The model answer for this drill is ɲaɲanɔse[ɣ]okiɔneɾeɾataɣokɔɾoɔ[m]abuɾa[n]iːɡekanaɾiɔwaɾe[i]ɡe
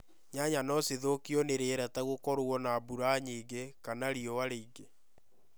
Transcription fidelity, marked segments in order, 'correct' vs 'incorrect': incorrect: ð, incorrect: n, incorrect: ɲ, correct

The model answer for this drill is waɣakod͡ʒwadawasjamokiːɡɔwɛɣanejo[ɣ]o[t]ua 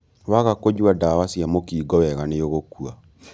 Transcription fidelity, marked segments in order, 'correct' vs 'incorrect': correct, incorrect: k

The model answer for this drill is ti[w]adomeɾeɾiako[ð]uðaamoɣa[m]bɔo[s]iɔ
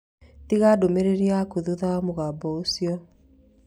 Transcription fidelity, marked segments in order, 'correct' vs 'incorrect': incorrect: ɣ, correct, incorrect: none, correct

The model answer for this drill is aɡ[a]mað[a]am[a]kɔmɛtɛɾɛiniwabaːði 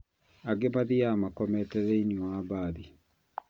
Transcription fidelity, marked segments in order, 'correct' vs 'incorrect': incorrect: e, incorrect: i, correct

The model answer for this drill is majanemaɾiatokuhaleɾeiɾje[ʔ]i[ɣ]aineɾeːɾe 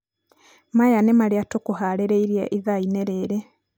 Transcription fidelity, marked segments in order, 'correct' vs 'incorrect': correct, incorrect: ð

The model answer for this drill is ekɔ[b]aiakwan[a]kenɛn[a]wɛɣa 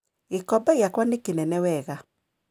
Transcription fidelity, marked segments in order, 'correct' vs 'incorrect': correct, incorrect: e, incorrect: ɛ

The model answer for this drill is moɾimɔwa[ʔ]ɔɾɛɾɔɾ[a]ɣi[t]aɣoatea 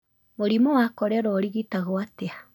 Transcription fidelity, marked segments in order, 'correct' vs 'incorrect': incorrect: k, incorrect: i, correct

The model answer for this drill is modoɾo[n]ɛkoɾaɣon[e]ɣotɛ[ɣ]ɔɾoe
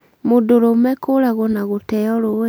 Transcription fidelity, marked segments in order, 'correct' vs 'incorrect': incorrect: m, incorrect: a, incorrect: none

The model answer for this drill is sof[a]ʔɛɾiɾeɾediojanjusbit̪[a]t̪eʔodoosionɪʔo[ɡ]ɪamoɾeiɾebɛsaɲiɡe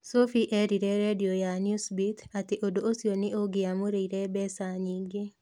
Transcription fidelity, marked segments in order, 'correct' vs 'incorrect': incorrect: i, correct, correct

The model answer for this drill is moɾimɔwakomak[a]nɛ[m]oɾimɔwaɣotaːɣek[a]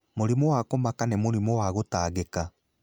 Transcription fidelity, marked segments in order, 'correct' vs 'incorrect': correct, correct, correct

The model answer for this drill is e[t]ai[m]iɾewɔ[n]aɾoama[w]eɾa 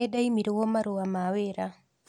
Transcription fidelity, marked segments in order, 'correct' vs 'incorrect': incorrect: d, correct, incorrect: m, correct

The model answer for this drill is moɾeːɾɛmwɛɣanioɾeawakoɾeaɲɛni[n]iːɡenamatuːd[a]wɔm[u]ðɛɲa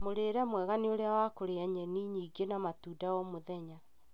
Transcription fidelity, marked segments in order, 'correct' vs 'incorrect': incorrect: ɲ, correct, incorrect: o

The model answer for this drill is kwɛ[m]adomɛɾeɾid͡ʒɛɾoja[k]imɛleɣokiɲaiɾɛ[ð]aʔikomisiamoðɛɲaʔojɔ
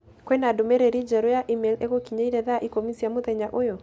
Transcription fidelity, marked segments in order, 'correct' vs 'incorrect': incorrect: n, incorrect: ʔ, correct

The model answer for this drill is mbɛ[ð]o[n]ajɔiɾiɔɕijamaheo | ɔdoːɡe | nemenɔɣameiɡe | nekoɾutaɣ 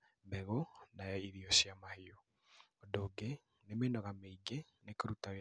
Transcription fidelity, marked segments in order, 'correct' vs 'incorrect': incorrect: ɣ, correct

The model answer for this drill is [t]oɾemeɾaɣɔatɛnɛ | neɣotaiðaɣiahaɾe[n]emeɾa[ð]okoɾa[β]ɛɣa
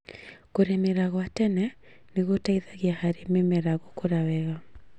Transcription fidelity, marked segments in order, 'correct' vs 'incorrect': incorrect: k, incorrect: m, incorrect: ɣ, incorrect: w

